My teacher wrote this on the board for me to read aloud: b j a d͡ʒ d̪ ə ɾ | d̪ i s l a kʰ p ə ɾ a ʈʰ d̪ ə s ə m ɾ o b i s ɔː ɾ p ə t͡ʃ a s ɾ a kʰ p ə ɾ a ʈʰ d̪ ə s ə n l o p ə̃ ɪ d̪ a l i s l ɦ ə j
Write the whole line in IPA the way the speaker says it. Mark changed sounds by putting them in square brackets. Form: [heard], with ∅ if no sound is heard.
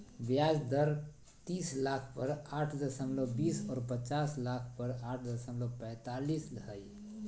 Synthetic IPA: b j a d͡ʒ d̪ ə ɾ | [t̪] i s l a kʰ p ə ɾ a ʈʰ d̪ ə s ə m [l] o b i s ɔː ɾ p ə t͡ʃ a s [l] a kʰ p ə ɾ a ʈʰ d̪ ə s ə [m] l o p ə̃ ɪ [t̪] a l i s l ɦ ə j